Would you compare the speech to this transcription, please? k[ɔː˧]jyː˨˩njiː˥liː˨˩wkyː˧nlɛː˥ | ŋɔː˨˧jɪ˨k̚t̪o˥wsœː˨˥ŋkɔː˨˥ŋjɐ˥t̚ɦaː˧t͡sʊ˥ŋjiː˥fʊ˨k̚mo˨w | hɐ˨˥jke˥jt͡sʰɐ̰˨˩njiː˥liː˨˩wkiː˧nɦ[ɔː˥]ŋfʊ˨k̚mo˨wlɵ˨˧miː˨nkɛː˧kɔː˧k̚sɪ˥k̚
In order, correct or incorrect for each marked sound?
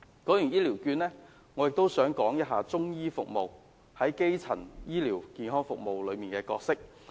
incorrect: ɔː˨˥, correct

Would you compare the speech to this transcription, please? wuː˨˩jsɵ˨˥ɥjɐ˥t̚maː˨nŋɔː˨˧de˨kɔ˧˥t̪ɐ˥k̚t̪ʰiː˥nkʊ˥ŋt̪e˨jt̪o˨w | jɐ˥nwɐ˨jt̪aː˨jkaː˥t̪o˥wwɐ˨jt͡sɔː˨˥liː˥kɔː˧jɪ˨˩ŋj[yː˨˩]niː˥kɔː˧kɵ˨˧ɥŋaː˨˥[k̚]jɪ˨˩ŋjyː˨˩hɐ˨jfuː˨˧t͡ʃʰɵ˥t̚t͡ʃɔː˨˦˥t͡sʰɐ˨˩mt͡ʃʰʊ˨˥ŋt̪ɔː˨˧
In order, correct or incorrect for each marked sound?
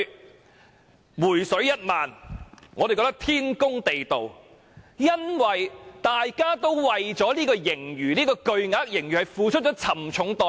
correct, correct

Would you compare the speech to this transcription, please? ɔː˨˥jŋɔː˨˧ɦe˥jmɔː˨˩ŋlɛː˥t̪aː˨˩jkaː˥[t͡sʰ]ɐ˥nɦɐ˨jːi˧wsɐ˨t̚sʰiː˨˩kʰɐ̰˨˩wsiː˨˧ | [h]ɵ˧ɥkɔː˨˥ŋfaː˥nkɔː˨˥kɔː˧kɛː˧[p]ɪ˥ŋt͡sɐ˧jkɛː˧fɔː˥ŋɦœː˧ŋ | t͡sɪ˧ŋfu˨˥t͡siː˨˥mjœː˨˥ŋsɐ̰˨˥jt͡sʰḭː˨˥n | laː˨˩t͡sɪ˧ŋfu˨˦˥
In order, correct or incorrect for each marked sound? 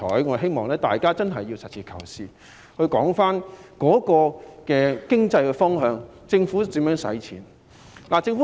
incorrect: t͡s, correct, incorrect: k

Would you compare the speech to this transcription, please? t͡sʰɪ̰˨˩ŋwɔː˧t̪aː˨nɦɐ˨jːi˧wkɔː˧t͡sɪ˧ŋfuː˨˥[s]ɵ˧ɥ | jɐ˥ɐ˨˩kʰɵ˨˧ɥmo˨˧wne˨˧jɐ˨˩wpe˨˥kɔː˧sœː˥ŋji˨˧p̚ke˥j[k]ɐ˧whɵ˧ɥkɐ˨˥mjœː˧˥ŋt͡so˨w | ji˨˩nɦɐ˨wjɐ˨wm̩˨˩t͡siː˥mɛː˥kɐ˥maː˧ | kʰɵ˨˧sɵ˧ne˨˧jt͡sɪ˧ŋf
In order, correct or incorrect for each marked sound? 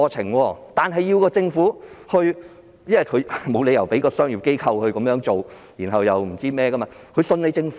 incorrect: h, incorrect: kʰ

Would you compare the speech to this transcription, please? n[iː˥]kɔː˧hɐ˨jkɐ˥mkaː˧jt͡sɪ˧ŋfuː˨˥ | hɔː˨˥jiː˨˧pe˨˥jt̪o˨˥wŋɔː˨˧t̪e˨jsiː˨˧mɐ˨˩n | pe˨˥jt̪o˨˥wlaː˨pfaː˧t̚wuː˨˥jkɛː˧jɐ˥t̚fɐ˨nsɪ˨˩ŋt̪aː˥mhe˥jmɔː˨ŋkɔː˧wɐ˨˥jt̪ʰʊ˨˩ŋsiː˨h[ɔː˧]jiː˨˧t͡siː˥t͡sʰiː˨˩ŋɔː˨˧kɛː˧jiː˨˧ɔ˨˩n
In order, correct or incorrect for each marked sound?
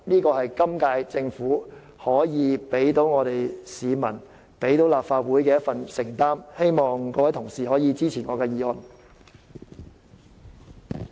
correct, incorrect: ɔː˨˥

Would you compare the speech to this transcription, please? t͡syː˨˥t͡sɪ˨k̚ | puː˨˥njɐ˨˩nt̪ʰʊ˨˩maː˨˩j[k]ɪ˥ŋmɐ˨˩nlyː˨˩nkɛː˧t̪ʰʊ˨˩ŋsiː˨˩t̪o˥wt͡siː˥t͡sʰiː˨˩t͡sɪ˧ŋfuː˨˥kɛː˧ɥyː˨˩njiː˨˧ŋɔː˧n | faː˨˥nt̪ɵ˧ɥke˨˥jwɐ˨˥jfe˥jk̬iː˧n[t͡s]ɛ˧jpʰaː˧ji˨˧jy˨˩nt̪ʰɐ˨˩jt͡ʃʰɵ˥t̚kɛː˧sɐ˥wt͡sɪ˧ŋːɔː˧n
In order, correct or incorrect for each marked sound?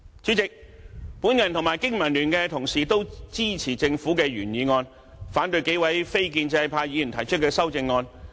correct, correct

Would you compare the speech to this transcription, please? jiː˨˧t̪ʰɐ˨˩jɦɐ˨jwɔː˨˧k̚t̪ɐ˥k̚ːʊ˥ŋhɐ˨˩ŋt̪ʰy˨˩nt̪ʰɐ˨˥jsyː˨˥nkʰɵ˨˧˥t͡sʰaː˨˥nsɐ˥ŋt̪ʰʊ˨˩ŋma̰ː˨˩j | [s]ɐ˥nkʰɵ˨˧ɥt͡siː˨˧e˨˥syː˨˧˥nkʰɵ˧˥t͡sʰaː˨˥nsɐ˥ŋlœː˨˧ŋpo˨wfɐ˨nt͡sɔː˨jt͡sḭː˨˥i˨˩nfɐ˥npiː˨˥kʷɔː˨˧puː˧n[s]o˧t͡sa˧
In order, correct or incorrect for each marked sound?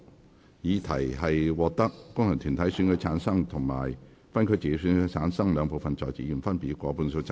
incorrect: f, correct

